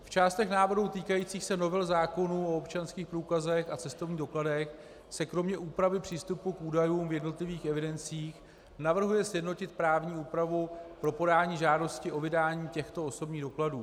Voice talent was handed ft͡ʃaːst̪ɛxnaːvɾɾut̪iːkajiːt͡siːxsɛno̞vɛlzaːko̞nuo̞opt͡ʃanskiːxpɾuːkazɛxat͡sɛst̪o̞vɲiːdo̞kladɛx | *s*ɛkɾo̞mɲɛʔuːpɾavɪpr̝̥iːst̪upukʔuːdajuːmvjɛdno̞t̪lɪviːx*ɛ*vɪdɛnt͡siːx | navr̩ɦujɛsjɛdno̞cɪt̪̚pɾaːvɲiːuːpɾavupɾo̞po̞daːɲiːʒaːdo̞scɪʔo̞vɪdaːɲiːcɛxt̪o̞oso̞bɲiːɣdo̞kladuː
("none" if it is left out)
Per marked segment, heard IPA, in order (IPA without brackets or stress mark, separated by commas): s, ɛ